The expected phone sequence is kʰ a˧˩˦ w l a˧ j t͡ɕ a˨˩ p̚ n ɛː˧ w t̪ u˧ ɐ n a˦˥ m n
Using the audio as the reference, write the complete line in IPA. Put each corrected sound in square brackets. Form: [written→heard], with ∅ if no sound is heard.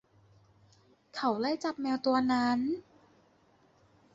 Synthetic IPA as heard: kʰ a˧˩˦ w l [a˧→a˥˩] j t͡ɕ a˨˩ p̚ [n→m] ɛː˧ w t̪ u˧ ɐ n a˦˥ [m→∅] n